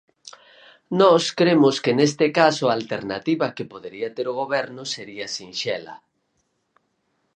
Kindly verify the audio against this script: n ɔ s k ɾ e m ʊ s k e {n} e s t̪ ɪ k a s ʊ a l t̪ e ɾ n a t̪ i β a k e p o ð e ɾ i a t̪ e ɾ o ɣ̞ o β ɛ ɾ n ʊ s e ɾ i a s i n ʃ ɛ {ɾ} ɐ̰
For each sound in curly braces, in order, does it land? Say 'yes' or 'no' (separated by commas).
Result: yes, no